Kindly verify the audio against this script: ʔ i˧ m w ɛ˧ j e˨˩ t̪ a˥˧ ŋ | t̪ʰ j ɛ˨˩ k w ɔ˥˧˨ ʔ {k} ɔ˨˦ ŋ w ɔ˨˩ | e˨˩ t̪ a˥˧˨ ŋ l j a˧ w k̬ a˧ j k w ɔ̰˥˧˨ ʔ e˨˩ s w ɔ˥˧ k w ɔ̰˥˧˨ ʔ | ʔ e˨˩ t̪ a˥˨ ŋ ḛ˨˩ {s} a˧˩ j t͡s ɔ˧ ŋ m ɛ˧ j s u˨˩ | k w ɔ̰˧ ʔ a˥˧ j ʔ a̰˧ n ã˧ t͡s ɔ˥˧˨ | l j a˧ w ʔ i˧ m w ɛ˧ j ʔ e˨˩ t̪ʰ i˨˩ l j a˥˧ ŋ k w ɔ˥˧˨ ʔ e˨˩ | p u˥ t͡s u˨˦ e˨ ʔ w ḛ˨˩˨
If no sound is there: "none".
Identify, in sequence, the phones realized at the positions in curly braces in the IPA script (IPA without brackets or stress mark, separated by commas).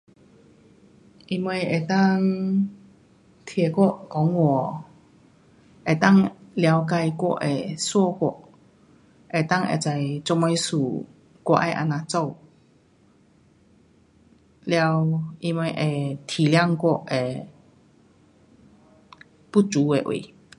k, t͡s